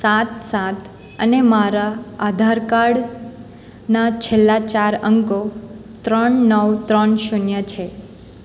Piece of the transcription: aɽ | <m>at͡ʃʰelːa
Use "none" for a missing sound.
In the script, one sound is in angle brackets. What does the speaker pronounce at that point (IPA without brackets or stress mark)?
n